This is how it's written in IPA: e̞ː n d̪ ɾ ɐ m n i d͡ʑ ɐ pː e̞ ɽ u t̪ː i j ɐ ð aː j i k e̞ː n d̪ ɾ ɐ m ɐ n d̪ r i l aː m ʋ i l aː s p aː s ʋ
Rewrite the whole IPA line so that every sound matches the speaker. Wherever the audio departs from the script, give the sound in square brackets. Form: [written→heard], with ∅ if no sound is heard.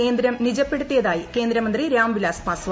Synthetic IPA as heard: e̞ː n d̪ ɾ ɐ m n i d͡ʑ ɐ pː e̞ ɽ u t̪ː i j ɐ ð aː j i k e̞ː n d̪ ɾ ɐ m ɐ n d̪ r i [l→ɾ] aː m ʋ i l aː s p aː s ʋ